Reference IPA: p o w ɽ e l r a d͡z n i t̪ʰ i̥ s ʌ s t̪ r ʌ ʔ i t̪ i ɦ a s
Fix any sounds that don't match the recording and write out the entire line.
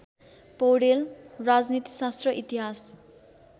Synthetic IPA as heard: p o w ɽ e l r a d͡z n i t̪ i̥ s a s t̪ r ʌ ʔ i t̪ i ɦ a s